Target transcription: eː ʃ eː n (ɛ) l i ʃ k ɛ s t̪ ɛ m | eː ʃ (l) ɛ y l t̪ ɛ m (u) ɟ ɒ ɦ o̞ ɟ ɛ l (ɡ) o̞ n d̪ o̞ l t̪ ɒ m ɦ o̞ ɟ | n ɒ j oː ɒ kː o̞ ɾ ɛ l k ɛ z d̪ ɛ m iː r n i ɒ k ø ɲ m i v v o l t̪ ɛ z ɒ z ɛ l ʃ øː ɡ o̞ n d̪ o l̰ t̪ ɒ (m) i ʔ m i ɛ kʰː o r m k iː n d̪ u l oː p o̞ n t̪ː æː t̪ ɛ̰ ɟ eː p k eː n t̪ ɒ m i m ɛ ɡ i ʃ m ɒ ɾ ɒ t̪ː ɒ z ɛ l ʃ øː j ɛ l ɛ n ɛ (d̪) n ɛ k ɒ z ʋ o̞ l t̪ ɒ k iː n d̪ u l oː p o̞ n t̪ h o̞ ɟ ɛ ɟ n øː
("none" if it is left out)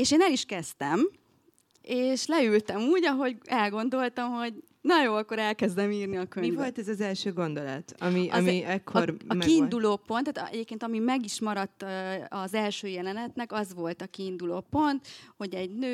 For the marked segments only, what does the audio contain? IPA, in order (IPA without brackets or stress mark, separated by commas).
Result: ɛ, l, uː, ɡ, m, t̪